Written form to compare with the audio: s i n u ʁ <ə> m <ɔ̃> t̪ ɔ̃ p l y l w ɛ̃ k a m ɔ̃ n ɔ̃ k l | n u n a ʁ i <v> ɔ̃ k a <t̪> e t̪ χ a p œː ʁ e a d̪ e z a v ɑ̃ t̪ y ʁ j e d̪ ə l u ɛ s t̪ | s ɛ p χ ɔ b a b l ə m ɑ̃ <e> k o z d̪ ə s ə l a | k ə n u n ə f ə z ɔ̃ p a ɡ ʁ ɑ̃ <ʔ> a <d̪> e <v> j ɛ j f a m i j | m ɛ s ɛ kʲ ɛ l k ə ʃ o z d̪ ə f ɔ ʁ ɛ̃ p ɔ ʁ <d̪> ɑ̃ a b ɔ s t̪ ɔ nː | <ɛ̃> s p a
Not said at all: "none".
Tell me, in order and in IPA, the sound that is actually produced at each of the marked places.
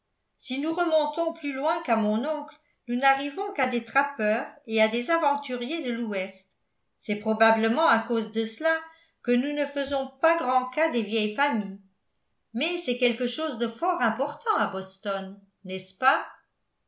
ə, ɔ̃, v, d̪, a, k, d̪, v, t̪, ɛ

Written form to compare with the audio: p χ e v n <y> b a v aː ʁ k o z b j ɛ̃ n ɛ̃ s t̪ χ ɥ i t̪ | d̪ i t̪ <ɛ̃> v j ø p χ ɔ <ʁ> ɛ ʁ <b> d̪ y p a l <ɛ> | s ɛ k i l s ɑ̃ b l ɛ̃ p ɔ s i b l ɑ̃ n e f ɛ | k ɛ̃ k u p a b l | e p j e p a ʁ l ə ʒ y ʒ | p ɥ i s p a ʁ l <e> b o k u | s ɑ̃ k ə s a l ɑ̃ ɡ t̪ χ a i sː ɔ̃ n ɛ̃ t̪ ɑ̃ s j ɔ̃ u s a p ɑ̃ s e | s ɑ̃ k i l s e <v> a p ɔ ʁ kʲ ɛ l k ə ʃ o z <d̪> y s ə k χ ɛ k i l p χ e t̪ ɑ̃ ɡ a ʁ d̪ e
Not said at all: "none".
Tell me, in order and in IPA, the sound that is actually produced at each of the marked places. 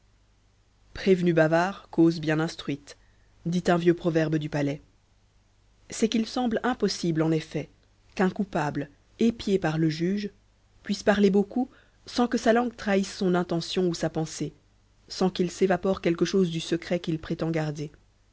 y, ɛ̃, v, b, ɛ, e, v, d̪

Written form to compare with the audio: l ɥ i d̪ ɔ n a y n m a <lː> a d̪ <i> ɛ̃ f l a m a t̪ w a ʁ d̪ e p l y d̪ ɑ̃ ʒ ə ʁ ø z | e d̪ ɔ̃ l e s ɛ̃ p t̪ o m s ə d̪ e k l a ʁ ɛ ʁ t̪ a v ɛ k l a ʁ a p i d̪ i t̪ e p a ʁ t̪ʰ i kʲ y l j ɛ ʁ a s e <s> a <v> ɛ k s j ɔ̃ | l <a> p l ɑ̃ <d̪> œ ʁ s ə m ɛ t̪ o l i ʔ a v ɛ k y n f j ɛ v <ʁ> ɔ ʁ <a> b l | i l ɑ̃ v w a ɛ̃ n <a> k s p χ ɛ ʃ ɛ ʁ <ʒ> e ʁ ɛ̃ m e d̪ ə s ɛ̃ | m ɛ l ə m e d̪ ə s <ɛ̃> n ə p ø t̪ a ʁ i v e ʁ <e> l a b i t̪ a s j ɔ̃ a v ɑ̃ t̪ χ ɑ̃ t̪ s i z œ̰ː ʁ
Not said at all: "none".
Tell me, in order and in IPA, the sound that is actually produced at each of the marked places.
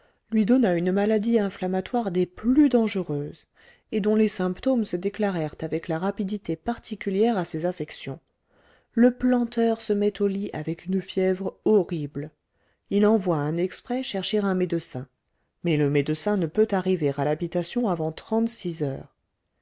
l, i, z, f, ə, t̪, ʁ, i, ɛ, ʃ, ɛ̃, a

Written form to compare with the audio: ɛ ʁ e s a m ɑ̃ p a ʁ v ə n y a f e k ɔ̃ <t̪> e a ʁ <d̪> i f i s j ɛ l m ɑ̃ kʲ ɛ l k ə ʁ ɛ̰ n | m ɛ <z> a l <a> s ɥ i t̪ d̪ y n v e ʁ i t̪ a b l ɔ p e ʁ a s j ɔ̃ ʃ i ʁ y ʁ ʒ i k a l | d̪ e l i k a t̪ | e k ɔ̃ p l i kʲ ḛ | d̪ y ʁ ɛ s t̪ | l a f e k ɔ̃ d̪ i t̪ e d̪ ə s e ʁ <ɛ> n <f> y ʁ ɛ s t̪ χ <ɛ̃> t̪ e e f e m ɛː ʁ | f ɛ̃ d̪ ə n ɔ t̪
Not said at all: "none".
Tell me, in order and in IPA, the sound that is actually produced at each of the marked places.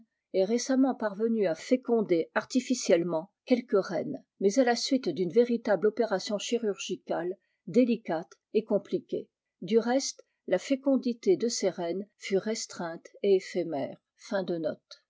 d̪, t̪, z, a, ɛ, f, ɛ̃

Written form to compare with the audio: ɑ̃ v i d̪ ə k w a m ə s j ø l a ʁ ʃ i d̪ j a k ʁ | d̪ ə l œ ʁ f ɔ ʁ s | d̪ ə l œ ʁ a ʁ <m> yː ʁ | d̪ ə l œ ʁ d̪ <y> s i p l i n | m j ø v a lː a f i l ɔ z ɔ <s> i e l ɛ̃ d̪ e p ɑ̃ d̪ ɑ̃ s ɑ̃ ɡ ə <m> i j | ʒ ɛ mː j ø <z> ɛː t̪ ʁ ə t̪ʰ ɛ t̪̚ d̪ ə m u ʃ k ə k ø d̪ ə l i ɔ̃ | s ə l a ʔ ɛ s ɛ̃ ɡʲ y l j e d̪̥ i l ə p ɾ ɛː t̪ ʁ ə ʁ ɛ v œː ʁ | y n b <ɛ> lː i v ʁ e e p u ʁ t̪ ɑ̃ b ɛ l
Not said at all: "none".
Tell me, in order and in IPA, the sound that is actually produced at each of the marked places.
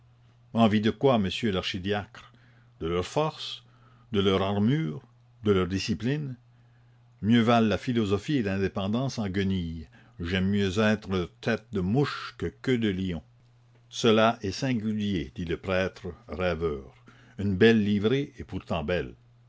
m, i, f, n, z, ɛ

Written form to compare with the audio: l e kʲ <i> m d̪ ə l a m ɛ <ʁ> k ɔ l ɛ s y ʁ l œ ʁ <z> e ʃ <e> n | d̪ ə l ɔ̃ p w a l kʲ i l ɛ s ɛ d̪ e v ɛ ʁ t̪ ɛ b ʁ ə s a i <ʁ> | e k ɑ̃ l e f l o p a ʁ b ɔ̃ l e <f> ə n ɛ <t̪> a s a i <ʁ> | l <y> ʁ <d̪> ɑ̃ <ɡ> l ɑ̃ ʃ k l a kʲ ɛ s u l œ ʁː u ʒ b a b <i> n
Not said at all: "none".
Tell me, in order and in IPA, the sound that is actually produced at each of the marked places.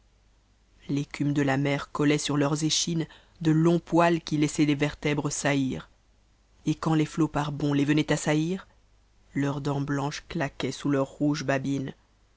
y, ʁ, z, i, ʁ, v, t̪, ʁ, œ, d̪, b, i

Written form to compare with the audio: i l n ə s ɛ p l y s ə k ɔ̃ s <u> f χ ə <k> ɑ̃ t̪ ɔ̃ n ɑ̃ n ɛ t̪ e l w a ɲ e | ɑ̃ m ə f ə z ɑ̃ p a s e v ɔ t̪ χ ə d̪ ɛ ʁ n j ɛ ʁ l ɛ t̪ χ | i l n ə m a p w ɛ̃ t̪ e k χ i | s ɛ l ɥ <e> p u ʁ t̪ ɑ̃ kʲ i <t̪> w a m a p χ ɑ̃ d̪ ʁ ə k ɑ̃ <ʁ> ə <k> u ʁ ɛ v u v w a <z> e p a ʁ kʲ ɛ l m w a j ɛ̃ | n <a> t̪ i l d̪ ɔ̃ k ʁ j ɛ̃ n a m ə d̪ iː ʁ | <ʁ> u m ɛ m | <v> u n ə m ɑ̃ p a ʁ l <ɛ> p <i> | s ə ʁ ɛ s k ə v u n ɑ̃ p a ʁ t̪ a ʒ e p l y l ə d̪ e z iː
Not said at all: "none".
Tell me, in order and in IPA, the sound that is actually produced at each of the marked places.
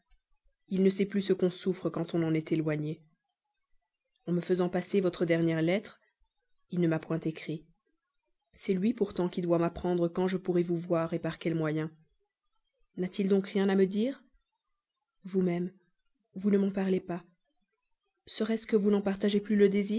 u, k, i, d̪, ʒ, p, ʁ, a, v, v, e, a

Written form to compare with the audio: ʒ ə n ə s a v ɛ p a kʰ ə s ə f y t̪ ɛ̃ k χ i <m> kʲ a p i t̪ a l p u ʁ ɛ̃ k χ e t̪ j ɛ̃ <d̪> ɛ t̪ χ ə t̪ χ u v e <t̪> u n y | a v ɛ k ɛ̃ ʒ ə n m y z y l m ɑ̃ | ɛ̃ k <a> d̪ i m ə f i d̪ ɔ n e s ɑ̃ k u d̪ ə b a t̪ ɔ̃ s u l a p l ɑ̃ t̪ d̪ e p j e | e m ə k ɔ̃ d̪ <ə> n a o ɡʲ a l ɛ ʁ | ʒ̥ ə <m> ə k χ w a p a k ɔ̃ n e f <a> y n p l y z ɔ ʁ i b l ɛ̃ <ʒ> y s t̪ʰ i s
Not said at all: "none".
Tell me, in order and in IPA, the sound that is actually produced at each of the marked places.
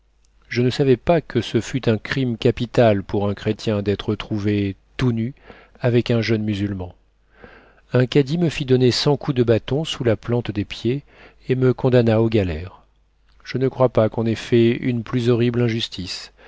m, d̪, t̪, a, a, n, ɛ, ʒ

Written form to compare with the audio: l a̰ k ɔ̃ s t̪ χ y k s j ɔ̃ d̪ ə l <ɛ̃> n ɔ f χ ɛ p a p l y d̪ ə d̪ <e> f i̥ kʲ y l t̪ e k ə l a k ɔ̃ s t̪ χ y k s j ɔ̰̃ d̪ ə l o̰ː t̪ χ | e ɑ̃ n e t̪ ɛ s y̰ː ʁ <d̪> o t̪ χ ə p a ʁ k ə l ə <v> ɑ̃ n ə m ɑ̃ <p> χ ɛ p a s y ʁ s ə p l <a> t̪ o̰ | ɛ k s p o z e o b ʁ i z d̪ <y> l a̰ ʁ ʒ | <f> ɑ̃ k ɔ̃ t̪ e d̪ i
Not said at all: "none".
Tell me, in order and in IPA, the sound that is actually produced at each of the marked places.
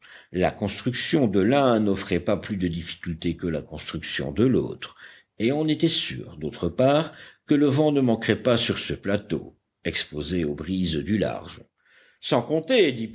ɛ̃, i, d̪, v, k, a, y, s

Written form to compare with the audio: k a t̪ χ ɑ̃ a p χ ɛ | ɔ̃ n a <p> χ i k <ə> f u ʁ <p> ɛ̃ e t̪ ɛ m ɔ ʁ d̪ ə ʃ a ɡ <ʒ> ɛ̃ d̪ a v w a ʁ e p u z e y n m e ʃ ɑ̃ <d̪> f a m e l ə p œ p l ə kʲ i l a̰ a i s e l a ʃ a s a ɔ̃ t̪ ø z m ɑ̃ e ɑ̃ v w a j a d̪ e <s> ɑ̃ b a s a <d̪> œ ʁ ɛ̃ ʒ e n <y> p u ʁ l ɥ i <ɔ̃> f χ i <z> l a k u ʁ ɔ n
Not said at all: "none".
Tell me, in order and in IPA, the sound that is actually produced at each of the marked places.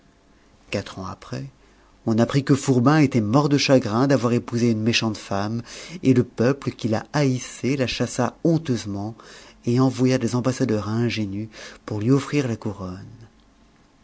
p, ə, b, ʁ, t̪, z, d̪, y, ɔ, ʁ

